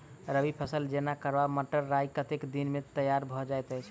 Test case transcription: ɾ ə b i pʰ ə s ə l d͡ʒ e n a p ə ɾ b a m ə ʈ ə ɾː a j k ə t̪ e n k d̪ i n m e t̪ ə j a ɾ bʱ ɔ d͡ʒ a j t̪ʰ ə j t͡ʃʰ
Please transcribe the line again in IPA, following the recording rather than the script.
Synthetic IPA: ɾ ə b i pʰ ə s ə l d͡ʒ e n a k ə ɾ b a m ə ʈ ə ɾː a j k ə t̪ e k d̪ i n m e t̪ ə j a ɾ bʱ ɔ d͡ʒ a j t̪ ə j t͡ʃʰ